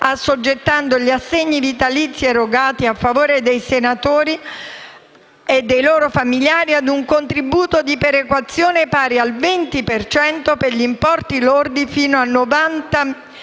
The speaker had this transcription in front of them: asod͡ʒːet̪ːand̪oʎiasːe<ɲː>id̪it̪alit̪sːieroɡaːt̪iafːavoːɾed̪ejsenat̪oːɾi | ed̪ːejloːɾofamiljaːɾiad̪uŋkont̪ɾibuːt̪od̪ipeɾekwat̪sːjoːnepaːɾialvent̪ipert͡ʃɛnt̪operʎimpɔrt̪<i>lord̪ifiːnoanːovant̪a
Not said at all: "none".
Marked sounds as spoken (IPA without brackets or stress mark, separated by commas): ɲː, i